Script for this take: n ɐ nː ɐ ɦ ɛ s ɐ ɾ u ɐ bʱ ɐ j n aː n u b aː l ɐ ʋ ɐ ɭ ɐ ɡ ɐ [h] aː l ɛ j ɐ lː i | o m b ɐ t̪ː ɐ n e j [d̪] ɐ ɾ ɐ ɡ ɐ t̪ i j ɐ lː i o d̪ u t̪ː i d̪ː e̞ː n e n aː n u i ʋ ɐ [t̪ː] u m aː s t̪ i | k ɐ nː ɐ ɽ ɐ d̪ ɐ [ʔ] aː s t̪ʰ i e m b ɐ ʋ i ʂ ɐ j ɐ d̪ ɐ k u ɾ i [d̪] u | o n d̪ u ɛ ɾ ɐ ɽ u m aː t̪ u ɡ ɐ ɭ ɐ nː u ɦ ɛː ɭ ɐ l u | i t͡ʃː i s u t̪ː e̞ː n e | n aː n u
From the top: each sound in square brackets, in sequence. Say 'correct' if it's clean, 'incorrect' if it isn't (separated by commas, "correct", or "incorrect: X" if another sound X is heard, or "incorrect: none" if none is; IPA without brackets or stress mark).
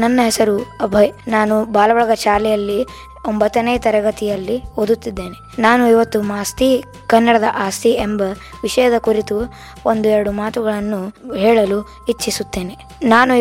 incorrect: ʃ, incorrect: t̪, correct, correct, incorrect: t̪